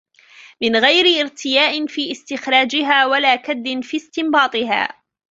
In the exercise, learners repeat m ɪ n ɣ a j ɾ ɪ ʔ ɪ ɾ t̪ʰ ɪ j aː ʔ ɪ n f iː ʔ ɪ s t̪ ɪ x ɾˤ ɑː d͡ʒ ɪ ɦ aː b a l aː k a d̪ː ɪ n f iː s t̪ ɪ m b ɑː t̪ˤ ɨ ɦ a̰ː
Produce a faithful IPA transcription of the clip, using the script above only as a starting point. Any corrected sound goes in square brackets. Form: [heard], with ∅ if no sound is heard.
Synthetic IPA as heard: m ɪ n ɣ a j ɾ ɪ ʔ ɪ ɾ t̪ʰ ɪ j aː ʔ ɪ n f iː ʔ ɪ s t̪ ɪ x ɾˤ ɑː d͡ʒ ɪ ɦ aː [w] a l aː k a d̪ː ɪ n f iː s t̪ ɪ m b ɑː t̪ˤ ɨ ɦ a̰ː